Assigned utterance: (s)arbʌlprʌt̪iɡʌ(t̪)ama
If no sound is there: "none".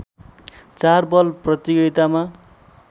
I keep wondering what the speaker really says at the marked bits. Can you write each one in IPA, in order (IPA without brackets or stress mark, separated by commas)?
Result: t͡s, t̪